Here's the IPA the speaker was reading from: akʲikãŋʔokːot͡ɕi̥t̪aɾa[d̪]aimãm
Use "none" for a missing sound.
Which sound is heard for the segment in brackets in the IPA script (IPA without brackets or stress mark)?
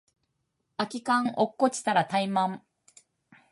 t̪